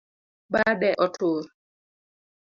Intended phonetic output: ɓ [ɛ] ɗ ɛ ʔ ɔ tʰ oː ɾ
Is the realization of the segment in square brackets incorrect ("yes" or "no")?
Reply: yes